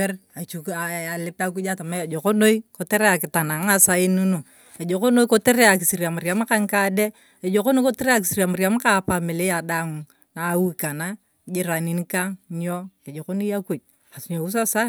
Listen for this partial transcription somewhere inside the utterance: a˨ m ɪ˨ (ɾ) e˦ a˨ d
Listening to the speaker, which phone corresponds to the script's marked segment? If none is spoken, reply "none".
l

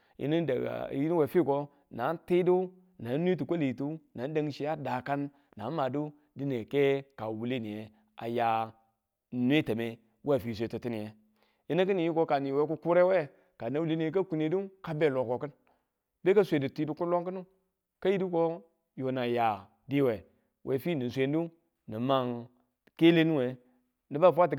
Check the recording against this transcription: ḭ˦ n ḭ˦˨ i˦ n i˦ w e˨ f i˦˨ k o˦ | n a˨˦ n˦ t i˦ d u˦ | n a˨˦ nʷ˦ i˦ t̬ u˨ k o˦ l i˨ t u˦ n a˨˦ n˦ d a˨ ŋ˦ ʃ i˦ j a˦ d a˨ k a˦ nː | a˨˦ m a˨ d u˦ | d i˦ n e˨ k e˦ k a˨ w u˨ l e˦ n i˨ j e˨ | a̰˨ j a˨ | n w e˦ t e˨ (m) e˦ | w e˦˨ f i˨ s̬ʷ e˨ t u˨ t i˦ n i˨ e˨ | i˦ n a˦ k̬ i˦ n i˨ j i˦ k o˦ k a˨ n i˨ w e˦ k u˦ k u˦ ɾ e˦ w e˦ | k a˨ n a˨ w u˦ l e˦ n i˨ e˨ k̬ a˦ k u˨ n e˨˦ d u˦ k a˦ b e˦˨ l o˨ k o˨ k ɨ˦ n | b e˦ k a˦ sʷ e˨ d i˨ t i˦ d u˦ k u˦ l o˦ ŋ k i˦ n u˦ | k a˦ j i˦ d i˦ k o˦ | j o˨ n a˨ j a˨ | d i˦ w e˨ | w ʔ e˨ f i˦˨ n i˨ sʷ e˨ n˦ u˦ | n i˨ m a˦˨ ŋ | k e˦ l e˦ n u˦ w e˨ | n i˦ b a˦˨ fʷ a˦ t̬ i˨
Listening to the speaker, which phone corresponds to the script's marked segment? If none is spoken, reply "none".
m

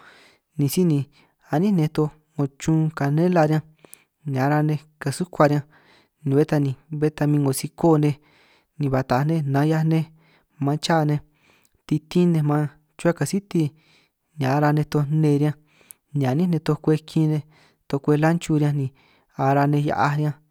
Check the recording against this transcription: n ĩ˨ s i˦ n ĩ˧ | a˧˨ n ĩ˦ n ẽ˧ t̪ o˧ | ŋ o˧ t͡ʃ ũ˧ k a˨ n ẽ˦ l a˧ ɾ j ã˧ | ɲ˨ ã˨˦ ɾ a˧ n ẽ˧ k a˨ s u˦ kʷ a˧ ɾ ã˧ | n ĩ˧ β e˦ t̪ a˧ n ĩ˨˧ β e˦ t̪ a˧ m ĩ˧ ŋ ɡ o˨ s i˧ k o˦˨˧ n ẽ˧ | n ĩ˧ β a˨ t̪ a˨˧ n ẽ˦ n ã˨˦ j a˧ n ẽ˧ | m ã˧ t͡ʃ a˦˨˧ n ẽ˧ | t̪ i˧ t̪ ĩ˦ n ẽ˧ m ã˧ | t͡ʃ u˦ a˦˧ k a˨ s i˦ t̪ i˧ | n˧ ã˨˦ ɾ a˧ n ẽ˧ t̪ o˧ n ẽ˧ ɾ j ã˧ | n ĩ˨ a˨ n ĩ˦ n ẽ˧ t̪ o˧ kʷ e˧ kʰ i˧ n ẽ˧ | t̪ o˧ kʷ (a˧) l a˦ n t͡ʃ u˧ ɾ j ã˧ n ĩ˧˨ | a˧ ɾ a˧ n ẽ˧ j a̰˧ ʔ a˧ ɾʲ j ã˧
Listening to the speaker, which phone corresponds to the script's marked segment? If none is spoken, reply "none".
e˧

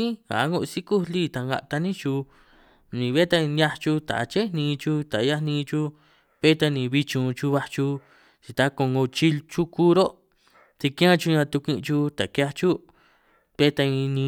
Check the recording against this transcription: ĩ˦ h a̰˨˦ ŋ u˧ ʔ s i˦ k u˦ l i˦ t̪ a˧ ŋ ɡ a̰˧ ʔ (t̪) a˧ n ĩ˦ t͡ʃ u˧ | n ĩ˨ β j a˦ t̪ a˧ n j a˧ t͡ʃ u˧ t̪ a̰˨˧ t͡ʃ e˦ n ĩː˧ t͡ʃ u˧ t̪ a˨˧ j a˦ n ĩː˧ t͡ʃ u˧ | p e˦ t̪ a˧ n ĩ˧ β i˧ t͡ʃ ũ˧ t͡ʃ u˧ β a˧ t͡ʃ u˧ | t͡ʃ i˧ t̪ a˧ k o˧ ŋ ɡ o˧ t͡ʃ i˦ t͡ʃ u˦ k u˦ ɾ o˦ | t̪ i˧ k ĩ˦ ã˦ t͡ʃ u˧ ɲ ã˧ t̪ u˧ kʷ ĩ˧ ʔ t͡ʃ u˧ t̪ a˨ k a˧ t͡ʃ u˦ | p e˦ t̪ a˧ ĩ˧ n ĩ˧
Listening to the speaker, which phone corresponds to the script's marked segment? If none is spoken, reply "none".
t̪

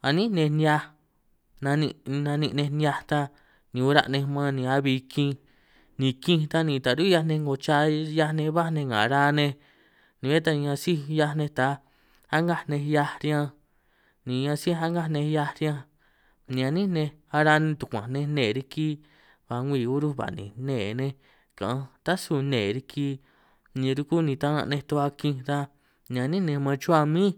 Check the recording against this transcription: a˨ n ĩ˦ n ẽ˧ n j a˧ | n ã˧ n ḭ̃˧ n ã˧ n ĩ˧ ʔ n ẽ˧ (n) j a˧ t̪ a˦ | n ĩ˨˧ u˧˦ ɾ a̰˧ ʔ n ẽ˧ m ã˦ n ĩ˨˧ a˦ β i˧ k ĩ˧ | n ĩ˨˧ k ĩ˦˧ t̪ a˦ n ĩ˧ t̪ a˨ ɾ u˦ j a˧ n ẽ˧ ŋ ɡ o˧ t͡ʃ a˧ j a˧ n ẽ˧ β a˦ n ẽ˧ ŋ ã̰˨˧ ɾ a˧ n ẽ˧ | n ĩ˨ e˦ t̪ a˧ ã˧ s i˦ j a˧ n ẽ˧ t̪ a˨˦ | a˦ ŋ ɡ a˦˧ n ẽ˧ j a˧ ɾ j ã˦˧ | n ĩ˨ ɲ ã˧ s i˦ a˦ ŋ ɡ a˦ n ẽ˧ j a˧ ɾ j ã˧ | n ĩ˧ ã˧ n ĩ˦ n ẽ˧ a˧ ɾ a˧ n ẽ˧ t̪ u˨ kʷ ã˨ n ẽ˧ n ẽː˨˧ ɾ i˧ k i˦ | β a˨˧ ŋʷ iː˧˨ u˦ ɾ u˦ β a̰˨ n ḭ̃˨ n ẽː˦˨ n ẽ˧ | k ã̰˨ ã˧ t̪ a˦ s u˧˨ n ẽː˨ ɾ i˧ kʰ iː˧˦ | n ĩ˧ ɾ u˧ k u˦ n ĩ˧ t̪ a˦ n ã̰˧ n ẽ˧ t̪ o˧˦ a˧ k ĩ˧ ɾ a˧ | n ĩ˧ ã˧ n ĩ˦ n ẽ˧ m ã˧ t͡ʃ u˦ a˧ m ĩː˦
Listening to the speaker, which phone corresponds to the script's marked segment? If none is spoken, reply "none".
n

